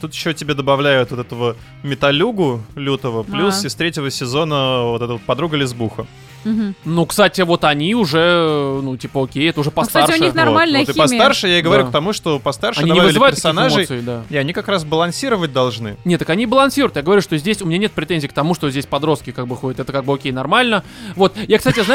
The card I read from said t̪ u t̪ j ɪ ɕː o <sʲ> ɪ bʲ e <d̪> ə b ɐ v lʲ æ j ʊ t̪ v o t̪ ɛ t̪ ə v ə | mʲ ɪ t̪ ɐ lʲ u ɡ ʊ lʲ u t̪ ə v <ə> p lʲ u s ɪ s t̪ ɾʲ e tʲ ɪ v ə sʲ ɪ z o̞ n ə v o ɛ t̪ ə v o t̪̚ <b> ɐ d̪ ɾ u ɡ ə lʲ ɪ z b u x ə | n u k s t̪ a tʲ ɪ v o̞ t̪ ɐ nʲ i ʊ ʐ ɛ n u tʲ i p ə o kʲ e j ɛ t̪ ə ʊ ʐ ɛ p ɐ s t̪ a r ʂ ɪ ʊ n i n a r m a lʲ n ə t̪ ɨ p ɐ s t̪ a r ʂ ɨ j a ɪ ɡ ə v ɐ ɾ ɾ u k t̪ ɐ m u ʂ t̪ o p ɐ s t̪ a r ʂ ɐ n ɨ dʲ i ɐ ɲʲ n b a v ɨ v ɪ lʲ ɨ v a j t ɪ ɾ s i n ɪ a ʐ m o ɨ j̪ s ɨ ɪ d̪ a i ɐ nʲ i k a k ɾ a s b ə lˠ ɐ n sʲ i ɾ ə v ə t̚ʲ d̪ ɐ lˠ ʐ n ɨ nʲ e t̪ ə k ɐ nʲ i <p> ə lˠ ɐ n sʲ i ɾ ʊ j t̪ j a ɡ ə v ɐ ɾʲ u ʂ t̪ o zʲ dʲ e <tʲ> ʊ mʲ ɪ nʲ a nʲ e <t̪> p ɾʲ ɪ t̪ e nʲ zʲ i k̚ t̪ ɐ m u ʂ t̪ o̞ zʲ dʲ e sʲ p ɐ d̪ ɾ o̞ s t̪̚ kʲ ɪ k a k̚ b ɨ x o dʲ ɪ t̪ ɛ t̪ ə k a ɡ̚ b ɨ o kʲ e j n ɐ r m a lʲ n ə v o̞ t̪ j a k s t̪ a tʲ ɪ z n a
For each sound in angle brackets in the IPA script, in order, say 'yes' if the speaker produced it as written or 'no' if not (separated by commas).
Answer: no, yes, yes, no, no, no, yes